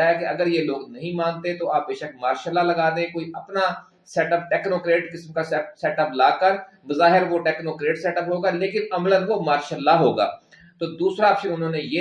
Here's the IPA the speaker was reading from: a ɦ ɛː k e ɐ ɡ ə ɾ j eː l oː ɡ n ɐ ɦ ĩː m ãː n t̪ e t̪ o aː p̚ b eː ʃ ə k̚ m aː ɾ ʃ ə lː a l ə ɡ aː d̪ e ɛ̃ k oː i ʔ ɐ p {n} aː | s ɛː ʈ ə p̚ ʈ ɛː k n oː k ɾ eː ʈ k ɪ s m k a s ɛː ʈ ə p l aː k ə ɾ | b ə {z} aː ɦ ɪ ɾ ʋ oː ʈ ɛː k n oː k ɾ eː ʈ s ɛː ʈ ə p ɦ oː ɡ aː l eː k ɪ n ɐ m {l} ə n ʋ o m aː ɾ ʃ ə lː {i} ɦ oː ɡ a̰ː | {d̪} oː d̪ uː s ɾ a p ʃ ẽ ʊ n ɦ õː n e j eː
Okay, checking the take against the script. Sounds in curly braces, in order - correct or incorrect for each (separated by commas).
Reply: correct, correct, correct, incorrect, incorrect